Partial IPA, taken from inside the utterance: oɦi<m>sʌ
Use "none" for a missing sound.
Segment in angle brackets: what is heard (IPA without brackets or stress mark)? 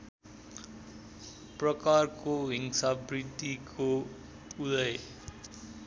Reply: ŋ